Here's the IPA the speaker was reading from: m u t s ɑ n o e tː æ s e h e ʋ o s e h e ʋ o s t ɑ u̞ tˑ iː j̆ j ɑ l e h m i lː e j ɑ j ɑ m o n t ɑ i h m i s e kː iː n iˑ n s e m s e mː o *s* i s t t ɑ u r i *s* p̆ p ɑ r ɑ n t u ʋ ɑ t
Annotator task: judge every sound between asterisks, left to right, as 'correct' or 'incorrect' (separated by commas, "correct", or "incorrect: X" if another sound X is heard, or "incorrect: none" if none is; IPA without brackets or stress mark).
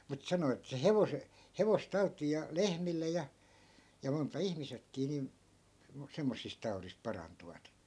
incorrect: sː, correct